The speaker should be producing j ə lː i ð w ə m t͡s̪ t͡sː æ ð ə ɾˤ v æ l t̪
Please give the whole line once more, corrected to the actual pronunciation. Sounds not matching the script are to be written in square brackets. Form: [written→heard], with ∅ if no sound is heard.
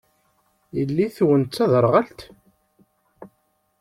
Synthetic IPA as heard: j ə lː i [ð→θ] w ə [m→n] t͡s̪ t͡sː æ ð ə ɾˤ [v→ʁ] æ l t̪